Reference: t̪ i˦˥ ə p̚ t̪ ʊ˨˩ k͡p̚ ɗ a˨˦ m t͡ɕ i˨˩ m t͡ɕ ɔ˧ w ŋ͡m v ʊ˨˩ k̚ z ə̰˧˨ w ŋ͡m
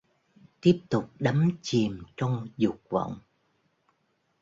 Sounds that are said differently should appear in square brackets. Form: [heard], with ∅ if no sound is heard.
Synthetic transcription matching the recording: t̪ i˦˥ ə p̚ t̪ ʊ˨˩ k͡p̚ ɗ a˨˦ m t͡ɕ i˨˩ m t͡ɕ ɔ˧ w ŋ͡m [z] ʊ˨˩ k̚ [v] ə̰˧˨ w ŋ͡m

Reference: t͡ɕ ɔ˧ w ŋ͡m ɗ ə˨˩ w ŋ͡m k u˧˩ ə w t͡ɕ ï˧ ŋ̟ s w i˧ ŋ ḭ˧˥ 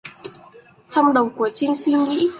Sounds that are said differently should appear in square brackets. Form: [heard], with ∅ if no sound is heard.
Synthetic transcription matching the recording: t͡ɕ ɔ˧ w ŋ͡m ɗ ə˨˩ w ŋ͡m k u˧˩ ə [∅] t͡ɕ ï˧ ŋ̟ s w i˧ ŋ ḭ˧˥

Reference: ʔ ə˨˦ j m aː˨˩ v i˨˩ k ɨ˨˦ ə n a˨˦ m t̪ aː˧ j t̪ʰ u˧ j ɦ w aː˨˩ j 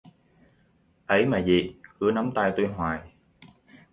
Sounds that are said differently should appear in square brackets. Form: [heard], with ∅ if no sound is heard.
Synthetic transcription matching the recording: ʔ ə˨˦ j m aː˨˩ [z] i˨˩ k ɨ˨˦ ə n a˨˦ m t̪ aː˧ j [t̪] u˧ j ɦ w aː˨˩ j

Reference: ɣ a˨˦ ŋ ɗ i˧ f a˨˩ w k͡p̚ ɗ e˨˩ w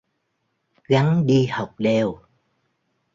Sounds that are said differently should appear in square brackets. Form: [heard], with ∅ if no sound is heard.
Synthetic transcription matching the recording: ɣ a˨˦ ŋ ɗ i˧ [h] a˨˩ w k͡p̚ ɗ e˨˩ w

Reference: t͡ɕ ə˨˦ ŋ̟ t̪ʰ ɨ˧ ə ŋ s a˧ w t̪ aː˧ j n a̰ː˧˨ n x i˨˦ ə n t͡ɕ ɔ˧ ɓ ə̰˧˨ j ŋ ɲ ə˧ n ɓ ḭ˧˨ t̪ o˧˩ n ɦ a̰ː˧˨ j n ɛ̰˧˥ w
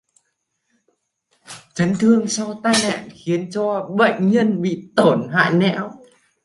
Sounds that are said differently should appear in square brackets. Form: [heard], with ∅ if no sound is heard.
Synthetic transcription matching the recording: t͡ɕ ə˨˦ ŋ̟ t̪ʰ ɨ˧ ə ŋ s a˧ w t̪ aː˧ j n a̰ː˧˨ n x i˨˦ ə n t͡ɕ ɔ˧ ɓ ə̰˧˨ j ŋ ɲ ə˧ n ɓ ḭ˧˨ t̪ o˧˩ n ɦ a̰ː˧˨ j n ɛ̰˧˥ w

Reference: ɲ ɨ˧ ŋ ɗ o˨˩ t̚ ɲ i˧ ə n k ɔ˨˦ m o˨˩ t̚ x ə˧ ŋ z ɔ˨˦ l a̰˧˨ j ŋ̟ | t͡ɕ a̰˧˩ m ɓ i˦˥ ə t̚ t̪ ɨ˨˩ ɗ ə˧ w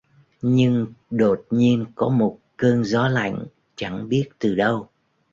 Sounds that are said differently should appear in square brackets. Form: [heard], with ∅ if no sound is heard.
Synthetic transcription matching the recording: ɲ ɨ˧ ŋ ɗ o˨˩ t̚ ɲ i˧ ə n k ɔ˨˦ m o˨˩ t̚ [k] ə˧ ŋ z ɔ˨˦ l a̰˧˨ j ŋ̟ | t͡ɕ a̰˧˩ [ŋ] ɓ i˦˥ ə t̚ t̪ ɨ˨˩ ɗ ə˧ w

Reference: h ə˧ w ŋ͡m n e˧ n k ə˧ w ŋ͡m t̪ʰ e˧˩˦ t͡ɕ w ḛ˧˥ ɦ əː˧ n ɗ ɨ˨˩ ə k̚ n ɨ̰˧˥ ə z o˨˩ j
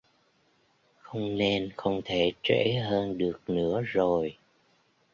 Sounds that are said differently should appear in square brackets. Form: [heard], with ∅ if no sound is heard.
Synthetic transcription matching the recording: [x] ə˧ w ŋ͡m n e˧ n [x] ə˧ w ŋ͡m t̪ʰ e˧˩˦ t͡ɕ w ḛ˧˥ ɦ əː˧ n ɗ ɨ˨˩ ə k̚ n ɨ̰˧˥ ə z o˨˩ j

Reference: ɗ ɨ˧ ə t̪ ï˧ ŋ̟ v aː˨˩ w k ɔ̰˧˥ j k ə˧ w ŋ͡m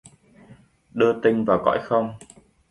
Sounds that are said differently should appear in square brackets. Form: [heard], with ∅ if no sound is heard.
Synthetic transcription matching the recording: ɗ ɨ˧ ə t̪ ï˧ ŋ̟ v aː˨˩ w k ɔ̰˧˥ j [x] ə˧ w ŋ͡m

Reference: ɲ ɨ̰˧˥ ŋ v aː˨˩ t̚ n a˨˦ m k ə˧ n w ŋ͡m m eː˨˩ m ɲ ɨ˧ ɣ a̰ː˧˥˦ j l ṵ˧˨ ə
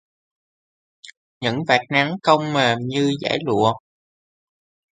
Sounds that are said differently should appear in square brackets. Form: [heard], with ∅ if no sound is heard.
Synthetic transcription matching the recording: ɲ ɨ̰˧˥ ŋ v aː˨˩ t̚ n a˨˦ [ŋ] k ə˧ [∅] w ŋ͡m m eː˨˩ m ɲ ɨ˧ [z] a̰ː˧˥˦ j l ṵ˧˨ ə

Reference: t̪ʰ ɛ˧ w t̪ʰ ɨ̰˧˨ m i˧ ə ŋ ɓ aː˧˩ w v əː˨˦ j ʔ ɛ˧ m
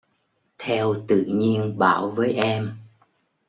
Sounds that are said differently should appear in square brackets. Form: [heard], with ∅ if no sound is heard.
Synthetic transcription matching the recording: t̪ʰ ɛ˧ w [t̪] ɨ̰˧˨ [ɲ] i˧ ə [n] ɓ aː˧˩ w v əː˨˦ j ʔ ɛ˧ m

